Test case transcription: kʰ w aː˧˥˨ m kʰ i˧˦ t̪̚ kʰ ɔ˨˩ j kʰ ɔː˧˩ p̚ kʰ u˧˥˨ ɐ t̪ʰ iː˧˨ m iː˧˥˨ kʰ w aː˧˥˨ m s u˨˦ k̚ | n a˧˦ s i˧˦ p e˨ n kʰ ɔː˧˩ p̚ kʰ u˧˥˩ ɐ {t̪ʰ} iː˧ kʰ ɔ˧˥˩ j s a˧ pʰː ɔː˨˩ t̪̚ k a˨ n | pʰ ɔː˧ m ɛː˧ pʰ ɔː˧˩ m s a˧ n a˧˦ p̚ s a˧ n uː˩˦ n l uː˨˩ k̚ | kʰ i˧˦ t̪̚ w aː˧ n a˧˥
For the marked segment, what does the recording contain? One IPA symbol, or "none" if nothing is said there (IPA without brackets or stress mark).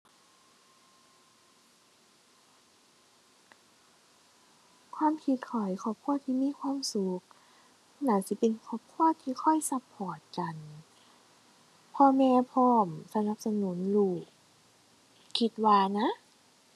t̪ʰ